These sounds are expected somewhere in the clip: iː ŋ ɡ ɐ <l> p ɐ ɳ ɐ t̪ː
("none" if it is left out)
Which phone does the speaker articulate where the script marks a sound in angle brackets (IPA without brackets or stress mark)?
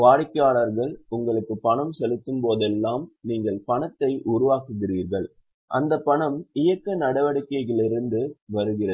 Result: ɭ